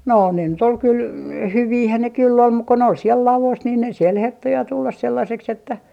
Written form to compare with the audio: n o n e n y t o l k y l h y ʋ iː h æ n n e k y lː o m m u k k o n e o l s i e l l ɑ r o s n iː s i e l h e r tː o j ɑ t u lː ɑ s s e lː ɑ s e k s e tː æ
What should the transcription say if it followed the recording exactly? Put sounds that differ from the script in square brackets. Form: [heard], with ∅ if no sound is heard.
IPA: n o n e n y t o l k y l h y ʋ iː h æ n n e k y lː o m m u k k o n e o l s i e l l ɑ [l] o s n iː s i e l h e r tː o j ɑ t u lː ɑ s s e lː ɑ s e k s e tː æ